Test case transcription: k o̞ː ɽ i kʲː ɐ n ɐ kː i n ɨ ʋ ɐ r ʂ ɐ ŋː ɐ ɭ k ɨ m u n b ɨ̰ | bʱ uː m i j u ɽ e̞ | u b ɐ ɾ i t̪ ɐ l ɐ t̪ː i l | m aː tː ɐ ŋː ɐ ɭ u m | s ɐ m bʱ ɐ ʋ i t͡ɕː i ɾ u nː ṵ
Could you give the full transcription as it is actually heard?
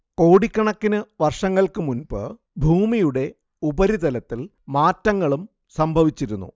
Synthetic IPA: k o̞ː ɽ i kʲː ɐ ɳ ɐ kː i n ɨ ʋ ɐ r ʂ ɐ ŋː ɐ ɭ k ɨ m u n b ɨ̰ | bʱ uː m i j u ɽ e̞ | u b ɐ ɾ i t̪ ɐ l ɐ t̪ː i l | m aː tː ɐ ŋː ɐ ɭ u m | s ɐ m bʱ ɐ ʋ i t͡ɕː i ɾ u nː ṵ